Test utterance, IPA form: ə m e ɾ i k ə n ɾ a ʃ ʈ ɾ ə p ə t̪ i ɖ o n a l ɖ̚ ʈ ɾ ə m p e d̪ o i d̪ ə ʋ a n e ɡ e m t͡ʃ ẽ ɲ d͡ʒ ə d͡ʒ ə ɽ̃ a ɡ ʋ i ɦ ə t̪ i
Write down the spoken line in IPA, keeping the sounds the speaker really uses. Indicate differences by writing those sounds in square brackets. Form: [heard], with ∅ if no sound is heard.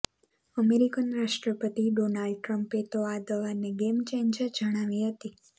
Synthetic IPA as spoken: ə m e ɾ i k ə n ɾ a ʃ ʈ ɾ ə p ə t̪ i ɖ o n a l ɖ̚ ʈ ɾ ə m p e [t̪] o [a] d̪ ə ʋ a n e ɡ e m t͡ʃ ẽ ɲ d͡ʒ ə d͡ʒ ə ɽ̃ a [∅] ʋ i ɦ ə t̪ i